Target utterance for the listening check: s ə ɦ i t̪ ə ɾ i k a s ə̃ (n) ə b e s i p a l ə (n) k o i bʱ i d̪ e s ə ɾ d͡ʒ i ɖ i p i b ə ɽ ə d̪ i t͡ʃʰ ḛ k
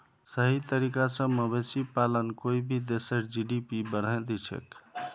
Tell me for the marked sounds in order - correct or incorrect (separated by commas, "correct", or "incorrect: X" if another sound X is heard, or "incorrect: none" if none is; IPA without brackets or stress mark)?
incorrect: m, correct